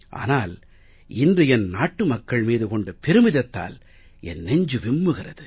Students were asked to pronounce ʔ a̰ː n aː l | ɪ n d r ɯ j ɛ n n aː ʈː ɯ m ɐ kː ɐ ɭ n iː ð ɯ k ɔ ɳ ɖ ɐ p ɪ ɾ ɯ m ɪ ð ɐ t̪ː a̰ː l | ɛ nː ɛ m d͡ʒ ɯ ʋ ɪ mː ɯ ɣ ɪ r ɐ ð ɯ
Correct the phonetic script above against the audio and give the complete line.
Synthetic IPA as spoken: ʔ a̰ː n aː l | ɪ n d r ɯ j ɛ n n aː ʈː ɯ m ɐ kː ɐ ɭ m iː ð ɯ k ɔ ɳ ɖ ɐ p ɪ ɾ ɯ m ɪ ð ɐ t̪ː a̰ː l | ɛ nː ɛ ɲ d͡ʒ ɯ ʋ ɪ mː ɯ ɣ ɪ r ɐ ð ɯ